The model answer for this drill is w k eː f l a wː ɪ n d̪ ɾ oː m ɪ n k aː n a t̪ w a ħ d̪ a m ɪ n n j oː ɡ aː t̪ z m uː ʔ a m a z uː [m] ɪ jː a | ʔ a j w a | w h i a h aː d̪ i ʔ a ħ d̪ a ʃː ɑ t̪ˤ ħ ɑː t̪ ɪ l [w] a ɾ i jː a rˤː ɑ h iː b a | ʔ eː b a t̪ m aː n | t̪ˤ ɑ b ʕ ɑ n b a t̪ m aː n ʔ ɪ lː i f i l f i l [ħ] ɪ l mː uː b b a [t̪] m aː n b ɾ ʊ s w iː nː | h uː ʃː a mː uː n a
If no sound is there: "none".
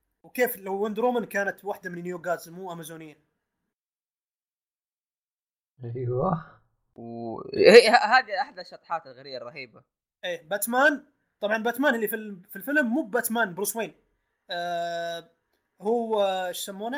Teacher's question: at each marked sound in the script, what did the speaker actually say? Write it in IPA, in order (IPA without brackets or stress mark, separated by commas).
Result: n, ɣ, f, t̪